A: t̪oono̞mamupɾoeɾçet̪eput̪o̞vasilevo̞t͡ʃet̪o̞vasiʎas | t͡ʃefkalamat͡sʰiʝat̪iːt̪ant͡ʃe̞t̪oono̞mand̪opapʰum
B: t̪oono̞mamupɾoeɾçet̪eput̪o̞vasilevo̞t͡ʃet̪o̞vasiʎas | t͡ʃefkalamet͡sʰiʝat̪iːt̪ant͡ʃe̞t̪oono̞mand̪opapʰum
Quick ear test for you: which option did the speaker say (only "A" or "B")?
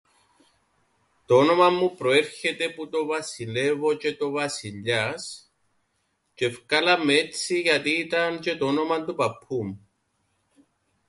B